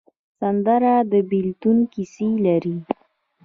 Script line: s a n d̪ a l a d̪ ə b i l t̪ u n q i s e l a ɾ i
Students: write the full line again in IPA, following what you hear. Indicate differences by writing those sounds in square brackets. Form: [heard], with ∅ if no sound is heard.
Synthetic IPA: s a n d̪ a [ɾ] a d̪ ə b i l t̪ u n [k] i s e l a ɾ i

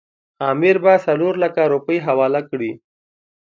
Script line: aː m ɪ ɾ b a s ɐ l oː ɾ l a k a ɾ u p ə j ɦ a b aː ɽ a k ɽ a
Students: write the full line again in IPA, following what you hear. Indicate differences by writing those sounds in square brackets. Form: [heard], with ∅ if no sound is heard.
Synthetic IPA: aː m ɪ ɾ b a s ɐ l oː ɾ l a k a ɾ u p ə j ɦ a [w] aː [l] a k ɽ [i]

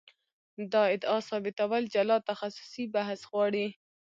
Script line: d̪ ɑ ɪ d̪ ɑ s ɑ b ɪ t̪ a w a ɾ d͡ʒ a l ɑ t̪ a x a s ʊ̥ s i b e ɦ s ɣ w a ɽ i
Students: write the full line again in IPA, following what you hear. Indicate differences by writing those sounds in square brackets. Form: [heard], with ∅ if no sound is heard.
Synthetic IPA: d̪ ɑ ɪ d̪ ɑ s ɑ b ɪ t̪ a w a [l] d͡ʒ a l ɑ t̪ a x a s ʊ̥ s i b [a] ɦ s ɣ w [ɑ] ɽ i

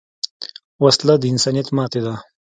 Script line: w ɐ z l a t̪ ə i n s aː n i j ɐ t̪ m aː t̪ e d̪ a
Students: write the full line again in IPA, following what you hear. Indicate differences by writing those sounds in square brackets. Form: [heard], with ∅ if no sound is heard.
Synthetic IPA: w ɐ [s] l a [d̪] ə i n s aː n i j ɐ t̪ m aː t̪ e d̪ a

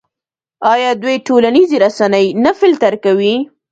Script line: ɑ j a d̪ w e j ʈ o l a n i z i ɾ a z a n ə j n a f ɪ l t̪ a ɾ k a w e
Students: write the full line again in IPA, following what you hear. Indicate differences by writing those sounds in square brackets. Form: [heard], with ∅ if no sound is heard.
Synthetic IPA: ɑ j [ɑ] d̪ w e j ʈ o l a n i z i ɾ a [s] a n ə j n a f ɪ l t̪ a ɾ k a w [i]

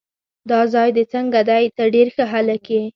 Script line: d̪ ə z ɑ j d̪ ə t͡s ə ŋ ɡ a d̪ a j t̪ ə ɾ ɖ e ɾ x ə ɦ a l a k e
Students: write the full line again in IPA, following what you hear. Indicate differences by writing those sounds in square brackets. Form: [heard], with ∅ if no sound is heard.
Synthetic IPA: d̪ [ɑ] z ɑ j d̪ ə t͡s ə ŋ ɡ a d̪ a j t̪ ə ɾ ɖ e ɾ x ə ɦ a l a k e

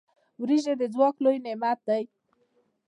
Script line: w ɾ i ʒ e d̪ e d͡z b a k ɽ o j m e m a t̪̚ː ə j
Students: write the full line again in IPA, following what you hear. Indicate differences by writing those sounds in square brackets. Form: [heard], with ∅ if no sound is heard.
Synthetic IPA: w ɾ i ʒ e d̪ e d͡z [w] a k [l] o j [n] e m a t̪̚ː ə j

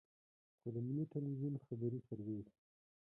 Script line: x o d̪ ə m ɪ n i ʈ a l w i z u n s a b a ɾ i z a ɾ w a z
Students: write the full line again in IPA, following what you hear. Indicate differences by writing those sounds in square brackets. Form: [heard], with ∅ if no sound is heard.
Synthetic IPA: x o d̪ ə m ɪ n i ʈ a l w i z u n [x] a b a ɾ i [s] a ɾ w [e] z

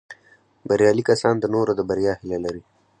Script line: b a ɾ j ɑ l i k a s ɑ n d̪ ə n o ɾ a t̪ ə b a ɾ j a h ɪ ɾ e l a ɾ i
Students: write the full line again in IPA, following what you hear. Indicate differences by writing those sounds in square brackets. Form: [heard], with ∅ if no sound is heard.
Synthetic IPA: b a ɾ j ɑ l i k a s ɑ n d̪ ə n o ɾ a [d̪] ə b a ɾ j [ɑ] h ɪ [l] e l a ɾ i

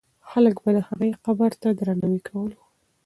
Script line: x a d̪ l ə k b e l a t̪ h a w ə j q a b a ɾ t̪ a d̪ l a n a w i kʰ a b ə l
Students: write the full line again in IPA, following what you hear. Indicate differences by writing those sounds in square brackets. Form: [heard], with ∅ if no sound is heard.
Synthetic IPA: x a [∅] l ə k b [a] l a [∅] h a [ɣ] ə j q a b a ɾ t̪ a d̪ [ɾ] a n a w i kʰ a [w] ə l

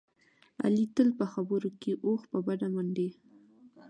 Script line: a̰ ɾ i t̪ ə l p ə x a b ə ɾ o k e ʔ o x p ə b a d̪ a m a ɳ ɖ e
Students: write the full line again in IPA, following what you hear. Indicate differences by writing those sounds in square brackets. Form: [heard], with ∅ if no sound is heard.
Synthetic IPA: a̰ [l] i t̪ ə l p ə x a b ə ɾ o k e ʔ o x p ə b a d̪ a m a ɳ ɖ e

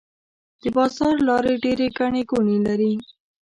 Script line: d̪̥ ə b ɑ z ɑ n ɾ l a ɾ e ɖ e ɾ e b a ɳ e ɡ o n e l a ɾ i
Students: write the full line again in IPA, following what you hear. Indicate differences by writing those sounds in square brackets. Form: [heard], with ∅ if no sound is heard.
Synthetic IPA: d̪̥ ə b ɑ z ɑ [∅] ɾ l [ɑ] ɾ e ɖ e ɾ e [ɡ] a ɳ e ɡ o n e l a ɾ i

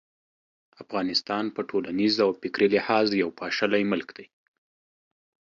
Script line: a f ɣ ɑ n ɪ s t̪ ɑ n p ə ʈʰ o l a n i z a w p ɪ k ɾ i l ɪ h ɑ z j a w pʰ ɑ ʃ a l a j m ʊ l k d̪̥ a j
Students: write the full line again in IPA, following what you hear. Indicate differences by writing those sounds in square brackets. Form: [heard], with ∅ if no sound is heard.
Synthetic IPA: a f ɣ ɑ n ɪ s t̪ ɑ n p ə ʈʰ o l a n i z a w p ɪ k ɾ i l ɪ h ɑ z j a w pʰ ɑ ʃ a l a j m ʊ l k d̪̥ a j

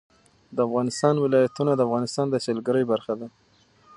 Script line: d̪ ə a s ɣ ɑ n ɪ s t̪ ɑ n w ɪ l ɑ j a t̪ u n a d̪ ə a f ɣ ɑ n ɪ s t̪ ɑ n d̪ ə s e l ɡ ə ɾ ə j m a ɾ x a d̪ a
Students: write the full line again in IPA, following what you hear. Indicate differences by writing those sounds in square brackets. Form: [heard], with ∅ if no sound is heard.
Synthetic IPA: d̪ ə a [f] ɣ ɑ n ɪ s t̪ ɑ n w ɪ l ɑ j a t̪ u n a d̪ ə a f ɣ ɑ n ɪ s t̪ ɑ n d̪ ə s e l ɡ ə ɾ ə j [b] a ɾ x a d̪ a

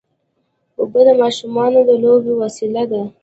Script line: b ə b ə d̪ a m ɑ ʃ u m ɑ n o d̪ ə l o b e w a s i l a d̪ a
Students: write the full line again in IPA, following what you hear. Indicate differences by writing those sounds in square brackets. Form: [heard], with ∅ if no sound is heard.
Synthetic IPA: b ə b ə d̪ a m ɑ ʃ u m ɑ n o d̪ ə l o b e w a s i l a d̪ a

